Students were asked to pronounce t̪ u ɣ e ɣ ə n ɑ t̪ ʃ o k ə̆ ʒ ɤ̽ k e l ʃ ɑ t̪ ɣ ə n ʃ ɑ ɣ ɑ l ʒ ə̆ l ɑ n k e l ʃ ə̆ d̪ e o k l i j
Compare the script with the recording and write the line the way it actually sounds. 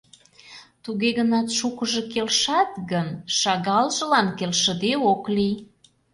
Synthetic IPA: t̪ u ɣ e ɣ ə n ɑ t̪ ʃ u k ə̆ ʒ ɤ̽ k e l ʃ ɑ t̪ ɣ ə n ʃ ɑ ɣ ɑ l ʒ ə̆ l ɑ n k e l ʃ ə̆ d̪ e o k l i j